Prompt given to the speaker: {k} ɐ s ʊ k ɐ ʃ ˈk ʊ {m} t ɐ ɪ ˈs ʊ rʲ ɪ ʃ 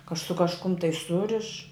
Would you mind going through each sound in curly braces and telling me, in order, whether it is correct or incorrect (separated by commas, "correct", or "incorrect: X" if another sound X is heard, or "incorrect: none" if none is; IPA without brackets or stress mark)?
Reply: correct, correct